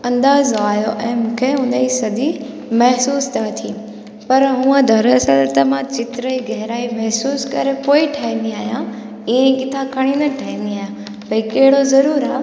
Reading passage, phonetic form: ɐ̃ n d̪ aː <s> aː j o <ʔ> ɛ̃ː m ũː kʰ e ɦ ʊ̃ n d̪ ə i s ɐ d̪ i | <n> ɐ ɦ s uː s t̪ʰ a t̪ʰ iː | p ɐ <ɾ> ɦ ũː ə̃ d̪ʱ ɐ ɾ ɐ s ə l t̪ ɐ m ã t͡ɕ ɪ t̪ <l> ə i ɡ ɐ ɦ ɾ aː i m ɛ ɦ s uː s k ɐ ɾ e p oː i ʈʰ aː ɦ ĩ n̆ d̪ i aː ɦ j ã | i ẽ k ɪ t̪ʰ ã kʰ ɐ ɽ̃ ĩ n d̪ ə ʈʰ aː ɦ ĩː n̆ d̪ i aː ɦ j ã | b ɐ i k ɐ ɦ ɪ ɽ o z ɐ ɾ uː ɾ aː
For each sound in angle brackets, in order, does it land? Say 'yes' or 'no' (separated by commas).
no, yes, no, yes, no